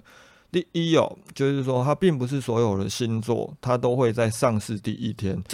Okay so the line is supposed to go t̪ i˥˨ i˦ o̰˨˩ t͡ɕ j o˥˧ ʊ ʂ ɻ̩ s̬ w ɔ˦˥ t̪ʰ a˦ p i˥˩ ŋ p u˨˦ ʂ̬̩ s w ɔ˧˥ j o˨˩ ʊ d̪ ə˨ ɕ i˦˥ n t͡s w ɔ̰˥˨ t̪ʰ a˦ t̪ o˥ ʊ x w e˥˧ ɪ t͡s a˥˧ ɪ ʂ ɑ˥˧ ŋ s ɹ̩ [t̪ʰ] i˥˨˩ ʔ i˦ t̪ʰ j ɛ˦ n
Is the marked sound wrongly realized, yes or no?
yes